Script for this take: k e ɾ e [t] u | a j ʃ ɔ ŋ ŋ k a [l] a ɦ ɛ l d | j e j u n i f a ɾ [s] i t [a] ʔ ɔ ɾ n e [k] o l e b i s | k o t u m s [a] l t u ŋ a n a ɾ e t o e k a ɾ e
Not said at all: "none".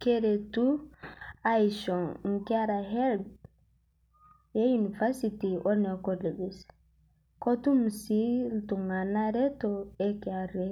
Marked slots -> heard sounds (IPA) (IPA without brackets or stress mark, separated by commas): t, ɾ, s, i, k, i